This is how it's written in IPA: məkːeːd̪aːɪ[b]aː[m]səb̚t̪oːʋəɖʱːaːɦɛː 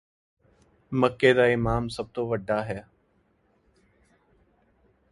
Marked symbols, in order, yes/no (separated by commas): no, yes